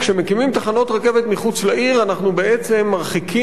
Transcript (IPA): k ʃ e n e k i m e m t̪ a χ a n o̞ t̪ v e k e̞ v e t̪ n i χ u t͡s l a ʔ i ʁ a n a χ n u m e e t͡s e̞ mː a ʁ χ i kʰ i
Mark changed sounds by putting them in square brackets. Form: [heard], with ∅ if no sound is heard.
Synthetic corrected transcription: k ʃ e [m] e k i m [i] m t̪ a χ a n o̞ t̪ [ʁ] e k e̞ v e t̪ [m] i χ u t͡s l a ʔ i ʁ a n a χ n u [b] e e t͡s e̞ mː a ʁ χ i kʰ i